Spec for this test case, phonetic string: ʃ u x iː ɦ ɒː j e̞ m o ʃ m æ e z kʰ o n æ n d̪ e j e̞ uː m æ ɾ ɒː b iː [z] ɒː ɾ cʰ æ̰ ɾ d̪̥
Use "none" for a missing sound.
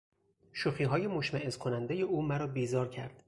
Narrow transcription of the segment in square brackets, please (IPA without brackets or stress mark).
z